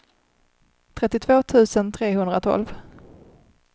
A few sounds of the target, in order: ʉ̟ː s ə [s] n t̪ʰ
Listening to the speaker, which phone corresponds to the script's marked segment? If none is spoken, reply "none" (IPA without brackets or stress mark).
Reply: none